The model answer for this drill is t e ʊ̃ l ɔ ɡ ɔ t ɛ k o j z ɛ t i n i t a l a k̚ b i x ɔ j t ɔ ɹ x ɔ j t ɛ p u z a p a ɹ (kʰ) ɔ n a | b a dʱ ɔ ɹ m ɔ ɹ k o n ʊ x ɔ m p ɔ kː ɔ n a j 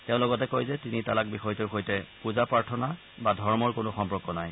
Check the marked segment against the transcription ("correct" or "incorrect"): incorrect